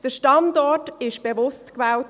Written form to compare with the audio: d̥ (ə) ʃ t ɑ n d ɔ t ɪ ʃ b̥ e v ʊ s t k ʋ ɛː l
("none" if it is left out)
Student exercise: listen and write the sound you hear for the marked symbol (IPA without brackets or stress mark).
ə